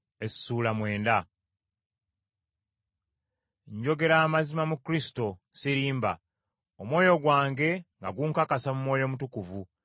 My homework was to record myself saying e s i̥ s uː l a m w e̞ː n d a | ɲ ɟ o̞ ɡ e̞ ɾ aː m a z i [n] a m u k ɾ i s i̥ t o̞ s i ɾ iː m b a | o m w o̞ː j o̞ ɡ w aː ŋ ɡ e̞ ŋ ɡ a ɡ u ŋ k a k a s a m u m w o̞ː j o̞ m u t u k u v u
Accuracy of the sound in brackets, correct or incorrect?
incorrect